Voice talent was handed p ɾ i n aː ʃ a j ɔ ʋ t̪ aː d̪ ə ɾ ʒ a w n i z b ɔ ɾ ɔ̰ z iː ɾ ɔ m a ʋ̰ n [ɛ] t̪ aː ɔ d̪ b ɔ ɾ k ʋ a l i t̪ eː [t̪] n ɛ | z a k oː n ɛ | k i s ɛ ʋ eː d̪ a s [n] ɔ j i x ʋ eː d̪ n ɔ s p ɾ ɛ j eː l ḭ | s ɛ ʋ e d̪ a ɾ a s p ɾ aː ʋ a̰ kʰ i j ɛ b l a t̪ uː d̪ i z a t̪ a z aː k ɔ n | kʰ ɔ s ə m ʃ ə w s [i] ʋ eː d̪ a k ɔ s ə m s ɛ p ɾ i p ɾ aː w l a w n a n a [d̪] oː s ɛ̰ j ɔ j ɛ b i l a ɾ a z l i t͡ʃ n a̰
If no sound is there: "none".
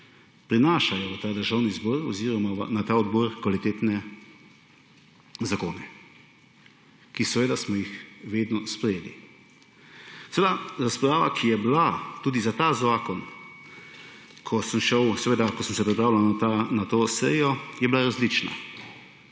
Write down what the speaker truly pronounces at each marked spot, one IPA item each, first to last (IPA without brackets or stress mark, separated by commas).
a, t̪, m, ɛ, t̪